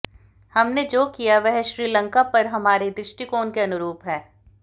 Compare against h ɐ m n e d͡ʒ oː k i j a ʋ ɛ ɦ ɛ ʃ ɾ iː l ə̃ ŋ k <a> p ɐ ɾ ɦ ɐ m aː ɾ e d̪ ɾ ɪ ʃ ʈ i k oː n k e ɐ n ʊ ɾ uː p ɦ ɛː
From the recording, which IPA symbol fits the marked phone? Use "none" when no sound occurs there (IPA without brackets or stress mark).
a